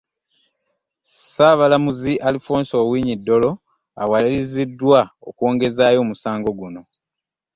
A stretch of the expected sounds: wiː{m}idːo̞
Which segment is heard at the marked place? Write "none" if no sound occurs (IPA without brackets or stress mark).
ɲ